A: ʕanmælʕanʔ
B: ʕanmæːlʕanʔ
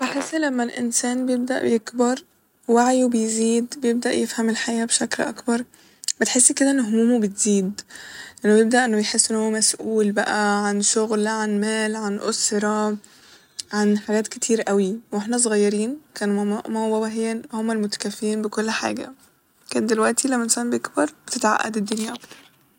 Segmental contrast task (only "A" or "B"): B